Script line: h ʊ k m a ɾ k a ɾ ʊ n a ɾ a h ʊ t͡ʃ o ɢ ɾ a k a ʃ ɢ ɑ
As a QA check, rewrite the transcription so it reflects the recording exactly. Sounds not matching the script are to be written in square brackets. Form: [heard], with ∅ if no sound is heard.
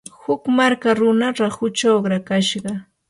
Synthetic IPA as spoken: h ʊ k m a ɾ k a ɾ ʊ n a ɾ a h ʊ t͡ʃ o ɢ ɾ a k a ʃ ɢ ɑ